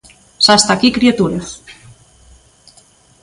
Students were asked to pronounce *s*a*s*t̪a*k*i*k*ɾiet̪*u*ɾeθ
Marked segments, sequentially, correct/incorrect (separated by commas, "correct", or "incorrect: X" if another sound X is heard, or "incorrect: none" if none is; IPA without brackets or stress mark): correct, correct, correct, correct, correct